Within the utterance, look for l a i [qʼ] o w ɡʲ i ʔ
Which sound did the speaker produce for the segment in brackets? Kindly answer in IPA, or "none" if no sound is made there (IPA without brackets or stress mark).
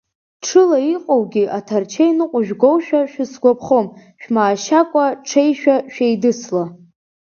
qʼ